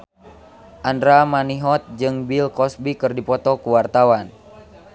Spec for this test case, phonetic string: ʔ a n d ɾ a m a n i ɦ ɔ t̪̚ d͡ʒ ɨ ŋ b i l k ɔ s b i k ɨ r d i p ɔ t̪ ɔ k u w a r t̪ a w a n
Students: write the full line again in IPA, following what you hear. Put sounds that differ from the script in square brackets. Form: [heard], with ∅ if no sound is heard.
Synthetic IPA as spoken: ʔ a n d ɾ a m a n i ɦ ɔ t̪̚ d͡ʒ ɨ ŋ b i l k ɔ s b i k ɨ r d i p ɔ t̪ ɔ k u w a r t̪ a w a n

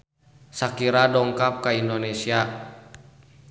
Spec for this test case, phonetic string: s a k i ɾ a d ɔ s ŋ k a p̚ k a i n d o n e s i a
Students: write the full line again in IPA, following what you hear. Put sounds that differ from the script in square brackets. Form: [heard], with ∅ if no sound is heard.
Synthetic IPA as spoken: s a k i ɾ a d ɔ [∅] ŋ k a p̚ k a i n d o n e s i a

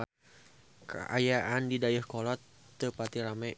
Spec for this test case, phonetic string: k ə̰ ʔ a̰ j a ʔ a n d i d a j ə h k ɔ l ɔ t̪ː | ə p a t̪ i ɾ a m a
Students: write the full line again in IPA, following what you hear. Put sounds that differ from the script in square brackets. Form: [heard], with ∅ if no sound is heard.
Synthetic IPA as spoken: k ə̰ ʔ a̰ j a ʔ a n d i d a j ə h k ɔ l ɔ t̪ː | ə p a t̪ i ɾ a m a

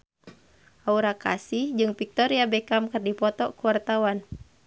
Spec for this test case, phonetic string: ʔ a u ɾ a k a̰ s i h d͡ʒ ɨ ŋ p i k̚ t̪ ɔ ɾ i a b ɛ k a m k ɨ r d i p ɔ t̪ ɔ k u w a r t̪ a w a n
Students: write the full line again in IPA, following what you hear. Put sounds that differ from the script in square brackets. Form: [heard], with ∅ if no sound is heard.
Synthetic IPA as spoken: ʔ a u ɾ a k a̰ s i h d͡ʒ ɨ ŋ p i k̚ t̪ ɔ ɾ i a b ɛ k a m k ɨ r d i p ɔ t̪ ɔ k u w a r t̪ a w a n

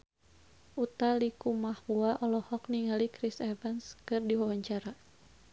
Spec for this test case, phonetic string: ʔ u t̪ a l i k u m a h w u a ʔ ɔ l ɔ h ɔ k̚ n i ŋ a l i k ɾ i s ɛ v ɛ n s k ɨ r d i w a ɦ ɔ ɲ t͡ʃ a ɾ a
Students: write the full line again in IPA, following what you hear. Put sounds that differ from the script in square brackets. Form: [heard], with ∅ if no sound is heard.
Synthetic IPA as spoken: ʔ u t̪ a l i k u m a h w u a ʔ ɔ l ɔ h ɔ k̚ n i ŋ a l i k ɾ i s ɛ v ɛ n s k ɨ r d i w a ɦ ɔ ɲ t͡ʃ a ɾ a

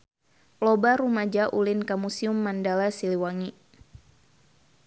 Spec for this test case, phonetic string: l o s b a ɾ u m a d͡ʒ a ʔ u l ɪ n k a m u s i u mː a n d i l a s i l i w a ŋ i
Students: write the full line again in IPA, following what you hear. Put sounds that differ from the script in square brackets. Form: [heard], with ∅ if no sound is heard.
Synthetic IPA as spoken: l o [∅] b a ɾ u m a d͡ʒ a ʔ u l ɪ n k a m u s i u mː a n d [a] l a s i l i w a ŋ i

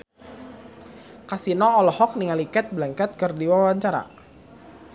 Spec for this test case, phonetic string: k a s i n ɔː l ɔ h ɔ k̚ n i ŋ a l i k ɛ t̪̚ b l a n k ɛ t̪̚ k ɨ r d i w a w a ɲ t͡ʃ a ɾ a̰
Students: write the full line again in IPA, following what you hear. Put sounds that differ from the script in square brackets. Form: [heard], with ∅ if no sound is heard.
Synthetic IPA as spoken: k a s i n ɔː l ɔ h ɔ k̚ n i ŋ a l i k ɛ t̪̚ b l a [ŋ] k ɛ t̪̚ k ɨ r d i w a w a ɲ t͡ʃ a ɾ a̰

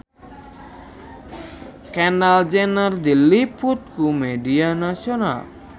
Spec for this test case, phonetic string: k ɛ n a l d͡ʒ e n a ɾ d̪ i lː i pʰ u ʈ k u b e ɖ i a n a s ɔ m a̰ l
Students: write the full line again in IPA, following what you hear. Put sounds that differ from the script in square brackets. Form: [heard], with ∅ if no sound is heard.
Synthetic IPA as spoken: k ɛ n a l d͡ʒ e n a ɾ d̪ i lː i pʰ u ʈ k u [m] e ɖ i a n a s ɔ [n] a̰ l

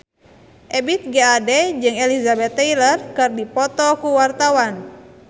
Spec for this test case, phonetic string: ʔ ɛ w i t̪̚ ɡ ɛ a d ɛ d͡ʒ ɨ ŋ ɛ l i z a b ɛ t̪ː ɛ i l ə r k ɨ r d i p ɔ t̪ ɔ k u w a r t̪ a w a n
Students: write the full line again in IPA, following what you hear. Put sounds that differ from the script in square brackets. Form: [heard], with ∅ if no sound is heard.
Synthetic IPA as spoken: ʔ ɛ [b] i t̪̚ ɡ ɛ a d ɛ d͡ʒ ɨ ŋ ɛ l i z a b ɛ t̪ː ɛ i l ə r k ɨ r d i p ɔ t̪ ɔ k u w a r t̪ a w a n

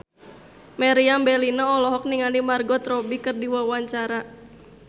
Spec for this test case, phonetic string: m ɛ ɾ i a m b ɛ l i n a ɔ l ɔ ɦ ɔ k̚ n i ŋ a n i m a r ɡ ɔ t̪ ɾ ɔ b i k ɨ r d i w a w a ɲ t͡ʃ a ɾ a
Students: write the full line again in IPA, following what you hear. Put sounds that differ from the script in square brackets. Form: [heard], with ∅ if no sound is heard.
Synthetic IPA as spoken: m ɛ ɾ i a m b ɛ l i n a ɔ l ɔ ɦ ɔ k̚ n i ŋ a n i m a r ɡ ɔ t̪ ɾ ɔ b i k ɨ r d i w a w a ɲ t͡ʃ a ɾ a

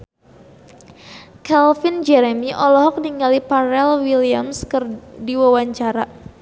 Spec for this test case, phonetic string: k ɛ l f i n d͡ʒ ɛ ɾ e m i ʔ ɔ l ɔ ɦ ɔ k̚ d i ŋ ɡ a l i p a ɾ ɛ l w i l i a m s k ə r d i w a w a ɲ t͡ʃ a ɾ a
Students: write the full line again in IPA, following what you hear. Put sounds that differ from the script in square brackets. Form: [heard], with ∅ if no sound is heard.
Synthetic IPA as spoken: k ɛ l f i n d͡ʒ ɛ ɾ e m i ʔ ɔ l ɔ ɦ ɔ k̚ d i ŋ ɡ a l i p a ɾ ɛ l w i l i a m s k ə r d i w a w a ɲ t͡ʃ a ɾ a

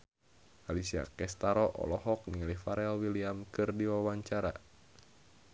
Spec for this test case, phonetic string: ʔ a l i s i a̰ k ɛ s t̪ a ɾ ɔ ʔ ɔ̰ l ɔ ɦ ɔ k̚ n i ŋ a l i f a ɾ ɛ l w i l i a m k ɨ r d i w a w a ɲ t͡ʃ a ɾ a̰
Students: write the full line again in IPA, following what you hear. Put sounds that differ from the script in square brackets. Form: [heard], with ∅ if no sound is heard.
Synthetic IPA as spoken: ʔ a l i s i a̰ k ɛ s t̪ a ɾ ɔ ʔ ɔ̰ l ɔ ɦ ɔ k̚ n i ŋ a l i f a ɾ ɛ l w i l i a m k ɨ r d i w a w a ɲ t͡ʃ a ɾ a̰

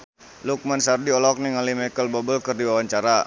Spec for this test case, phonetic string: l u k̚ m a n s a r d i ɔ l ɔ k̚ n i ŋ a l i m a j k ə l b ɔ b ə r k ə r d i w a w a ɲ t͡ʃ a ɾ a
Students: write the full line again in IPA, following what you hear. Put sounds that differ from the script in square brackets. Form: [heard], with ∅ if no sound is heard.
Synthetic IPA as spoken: l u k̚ m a n s a r d i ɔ l ɔ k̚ n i ŋ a l i m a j k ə l b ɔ b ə [l] k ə r d i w a w a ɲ t͡ʃ a ɾ a

